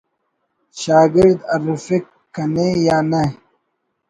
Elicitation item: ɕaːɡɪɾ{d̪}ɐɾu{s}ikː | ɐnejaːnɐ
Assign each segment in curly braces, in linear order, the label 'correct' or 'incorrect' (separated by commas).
correct, incorrect